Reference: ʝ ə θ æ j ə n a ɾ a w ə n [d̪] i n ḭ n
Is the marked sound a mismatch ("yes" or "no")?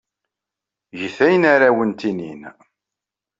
yes